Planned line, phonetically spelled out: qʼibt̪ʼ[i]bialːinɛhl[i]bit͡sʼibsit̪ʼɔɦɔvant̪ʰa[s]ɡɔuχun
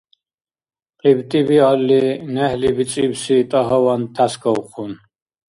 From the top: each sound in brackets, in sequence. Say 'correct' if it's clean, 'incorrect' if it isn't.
correct, correct, correct

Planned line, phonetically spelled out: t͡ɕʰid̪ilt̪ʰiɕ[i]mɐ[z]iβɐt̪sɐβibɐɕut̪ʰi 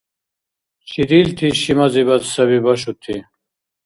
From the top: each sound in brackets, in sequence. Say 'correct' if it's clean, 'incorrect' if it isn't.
correct, correct

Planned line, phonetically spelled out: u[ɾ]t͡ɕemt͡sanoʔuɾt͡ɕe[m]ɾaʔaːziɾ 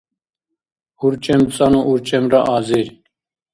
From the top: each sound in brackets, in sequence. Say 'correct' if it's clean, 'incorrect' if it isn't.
correct, correct

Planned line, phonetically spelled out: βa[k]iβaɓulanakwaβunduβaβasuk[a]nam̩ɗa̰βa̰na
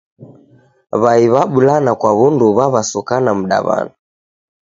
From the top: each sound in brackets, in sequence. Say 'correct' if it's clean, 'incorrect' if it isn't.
incorrect: none, correct

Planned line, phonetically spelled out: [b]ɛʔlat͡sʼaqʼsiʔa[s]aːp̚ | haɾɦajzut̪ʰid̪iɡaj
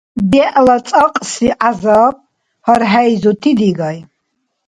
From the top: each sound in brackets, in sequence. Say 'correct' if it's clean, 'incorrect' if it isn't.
correct, incorrect: z

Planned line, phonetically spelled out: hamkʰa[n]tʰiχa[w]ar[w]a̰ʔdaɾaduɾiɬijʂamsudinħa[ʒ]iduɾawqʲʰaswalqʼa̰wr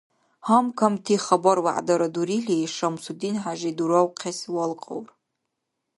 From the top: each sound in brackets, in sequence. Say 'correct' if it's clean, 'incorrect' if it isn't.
incorrect: m, incorrect: b, correct, correct

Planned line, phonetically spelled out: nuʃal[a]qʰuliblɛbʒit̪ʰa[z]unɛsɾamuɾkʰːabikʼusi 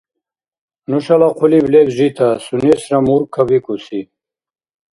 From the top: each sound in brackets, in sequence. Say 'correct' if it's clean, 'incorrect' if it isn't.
correct, incorrect: s

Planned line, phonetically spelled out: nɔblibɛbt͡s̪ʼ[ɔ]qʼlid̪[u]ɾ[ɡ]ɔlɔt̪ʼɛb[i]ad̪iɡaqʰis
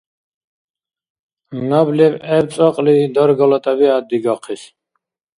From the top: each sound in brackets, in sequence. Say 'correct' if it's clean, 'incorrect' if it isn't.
correct, incorrect: ɔ, correct, correct

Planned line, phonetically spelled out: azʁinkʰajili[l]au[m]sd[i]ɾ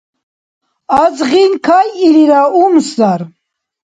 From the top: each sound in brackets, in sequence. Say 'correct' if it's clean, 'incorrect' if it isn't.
incorrect: ɾ, correct, incorrect: a

